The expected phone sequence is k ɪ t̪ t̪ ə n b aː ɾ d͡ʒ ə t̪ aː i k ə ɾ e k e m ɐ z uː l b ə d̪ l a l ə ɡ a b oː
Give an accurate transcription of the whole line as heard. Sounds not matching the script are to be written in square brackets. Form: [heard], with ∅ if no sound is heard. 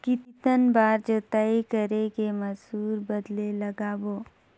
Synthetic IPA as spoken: k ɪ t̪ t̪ ə n b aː ɾ d͡ʒ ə t̪ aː i k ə ɾ e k e m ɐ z uː [ɾ] b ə d̪ l [e] l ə ɡ a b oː